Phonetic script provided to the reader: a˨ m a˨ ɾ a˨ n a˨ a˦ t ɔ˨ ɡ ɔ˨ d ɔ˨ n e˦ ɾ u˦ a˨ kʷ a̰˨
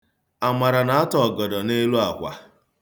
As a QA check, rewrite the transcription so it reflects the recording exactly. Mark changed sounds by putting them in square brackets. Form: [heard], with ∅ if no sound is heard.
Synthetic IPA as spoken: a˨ m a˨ ɾ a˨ n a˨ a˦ t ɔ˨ ɡ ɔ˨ d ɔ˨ n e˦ [l] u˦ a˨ kʷ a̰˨